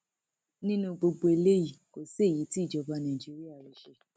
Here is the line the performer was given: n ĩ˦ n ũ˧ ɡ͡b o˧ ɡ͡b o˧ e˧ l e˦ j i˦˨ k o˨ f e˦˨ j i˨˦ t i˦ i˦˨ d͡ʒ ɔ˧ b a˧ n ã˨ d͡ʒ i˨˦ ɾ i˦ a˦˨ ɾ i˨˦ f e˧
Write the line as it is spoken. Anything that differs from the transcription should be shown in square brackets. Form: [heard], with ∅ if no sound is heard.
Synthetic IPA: n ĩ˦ n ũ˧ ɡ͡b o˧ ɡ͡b o˧ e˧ l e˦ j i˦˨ k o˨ [s] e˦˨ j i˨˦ t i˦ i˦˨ d͡ʒ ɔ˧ b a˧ n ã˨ d͡ʒ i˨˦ ɾ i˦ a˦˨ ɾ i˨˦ [ʃ] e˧